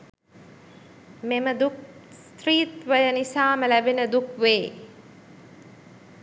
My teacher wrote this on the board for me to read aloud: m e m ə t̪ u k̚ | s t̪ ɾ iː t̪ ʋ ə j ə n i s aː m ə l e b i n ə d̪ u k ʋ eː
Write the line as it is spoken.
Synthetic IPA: m e m ə d̪ u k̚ | s t̪ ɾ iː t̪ ʋ ə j ə n i s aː m ə l æ b e n ə d̪ u k ʋ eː